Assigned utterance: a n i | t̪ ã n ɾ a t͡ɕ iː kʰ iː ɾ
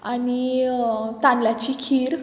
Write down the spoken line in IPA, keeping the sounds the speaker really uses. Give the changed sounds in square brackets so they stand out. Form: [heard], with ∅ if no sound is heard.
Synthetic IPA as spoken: a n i | t̪ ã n [l] a t͡ɕ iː kʰ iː ɾ